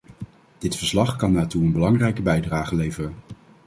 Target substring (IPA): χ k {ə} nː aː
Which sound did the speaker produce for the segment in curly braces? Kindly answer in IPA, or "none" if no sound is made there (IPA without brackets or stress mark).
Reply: ɑ